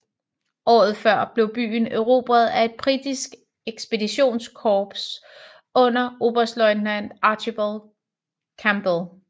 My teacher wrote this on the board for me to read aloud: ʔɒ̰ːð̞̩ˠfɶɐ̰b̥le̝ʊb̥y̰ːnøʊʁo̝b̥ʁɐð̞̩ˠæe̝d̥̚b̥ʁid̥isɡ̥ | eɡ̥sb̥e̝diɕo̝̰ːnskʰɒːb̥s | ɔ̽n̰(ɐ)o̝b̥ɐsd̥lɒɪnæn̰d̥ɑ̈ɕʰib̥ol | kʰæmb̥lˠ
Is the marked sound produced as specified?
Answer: yes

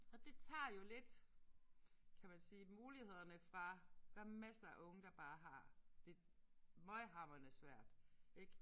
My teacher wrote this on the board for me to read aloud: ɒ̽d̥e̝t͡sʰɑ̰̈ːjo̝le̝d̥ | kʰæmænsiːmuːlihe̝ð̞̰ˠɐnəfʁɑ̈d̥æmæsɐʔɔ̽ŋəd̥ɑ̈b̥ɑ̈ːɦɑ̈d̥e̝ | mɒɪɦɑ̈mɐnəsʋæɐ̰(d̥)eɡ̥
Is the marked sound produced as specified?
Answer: yes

